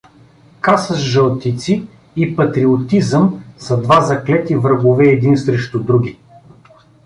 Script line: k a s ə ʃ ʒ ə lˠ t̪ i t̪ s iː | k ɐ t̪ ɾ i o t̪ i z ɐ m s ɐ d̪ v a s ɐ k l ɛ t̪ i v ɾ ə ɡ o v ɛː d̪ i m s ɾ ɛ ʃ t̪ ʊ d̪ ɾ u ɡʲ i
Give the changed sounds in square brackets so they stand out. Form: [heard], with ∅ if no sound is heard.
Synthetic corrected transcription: k a s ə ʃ ʒ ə lˠ t̪ i t̪ s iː | [p] ɐ t̪ ɾ i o t̪ i z [ə] m s ɐ d̪ v a [z] ɐ k l ɛ t̪ i v ɾ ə ɡ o v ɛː d̪ i [n] s ɾ ɛ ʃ t̪ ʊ d̪ ɾ u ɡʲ i

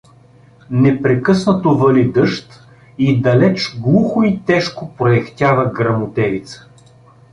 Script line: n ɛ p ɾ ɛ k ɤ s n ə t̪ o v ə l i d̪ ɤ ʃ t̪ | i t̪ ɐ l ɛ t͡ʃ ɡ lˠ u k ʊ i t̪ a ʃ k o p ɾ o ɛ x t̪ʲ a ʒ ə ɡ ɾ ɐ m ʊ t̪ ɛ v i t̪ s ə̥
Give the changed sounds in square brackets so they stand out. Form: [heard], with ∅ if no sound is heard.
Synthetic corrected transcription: n ɛ p ɾ ɛ k ɤ s n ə t̪ o v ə l i d̪ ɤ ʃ t̪ | i [d̪] ɐ l ɛ t͡ʃ ɡ lˠ u [x] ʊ i t̪ [ɛ] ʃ k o p ɾ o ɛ x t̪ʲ a [v] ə ɡ ɾ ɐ m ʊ t̪ ɛ v i t̪ s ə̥

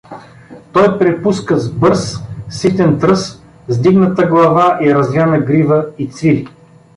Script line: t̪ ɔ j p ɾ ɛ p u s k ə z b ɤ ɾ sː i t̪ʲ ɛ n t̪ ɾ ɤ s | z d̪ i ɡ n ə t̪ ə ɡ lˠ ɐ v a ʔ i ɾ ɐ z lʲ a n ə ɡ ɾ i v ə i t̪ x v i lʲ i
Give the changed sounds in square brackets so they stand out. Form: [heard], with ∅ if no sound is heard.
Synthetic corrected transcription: t̪ ɔ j p ɾ ɛ p u s k ə z b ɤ ɾ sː i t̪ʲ ɛ n t̪ ɾ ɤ s | z d̪ i ɡ n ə t̪ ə ɡ lˠ ɐ v a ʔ i ɾ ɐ z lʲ a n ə ɡ ɾ i v ə i t̪ [s] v i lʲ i

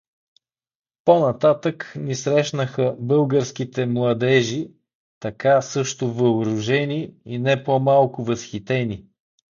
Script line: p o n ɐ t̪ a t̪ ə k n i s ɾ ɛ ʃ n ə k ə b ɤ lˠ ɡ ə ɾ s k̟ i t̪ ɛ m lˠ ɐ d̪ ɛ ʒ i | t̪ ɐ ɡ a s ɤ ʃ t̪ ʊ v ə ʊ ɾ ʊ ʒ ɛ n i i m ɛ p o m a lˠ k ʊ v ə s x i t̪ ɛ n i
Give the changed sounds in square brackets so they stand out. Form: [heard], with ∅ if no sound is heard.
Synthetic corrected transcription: p o n ɐ t̪ a t̪ ə k n i s ɾ ɛ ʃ n ə [x] ə b ɤ lˠ ɡ ə ɾ s k̟ i t̪ ɛ m lˠ ɐ d̪ ɛ ʒ i | t̪ ɐ [k] a s ɤ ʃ t̪ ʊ v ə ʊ ɾ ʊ ʒ ɛ n i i [n] ɛ p o m a lˠ k ʊ v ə s x i t̪ ɛ n i

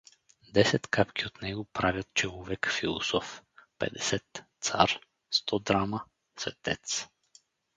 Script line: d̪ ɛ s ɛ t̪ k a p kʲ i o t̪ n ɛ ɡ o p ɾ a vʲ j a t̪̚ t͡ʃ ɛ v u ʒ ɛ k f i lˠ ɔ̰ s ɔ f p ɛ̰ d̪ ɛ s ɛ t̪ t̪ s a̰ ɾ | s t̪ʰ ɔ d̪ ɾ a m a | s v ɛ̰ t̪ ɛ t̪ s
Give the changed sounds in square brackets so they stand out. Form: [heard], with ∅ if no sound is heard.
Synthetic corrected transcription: d̪ ɛ s ɛ t̪ k a p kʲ i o t̪ n ɛ ɡ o p ɾ a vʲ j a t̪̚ t͡ʃ ɛ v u [v] ɛ k f i lˠ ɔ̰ s ɔ f p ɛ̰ d̪ ɛ s ɛ t̪ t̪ s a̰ ɾ | s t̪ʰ ɔ d̪ ɾ a m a | s v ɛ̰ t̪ ɛ t̪ s

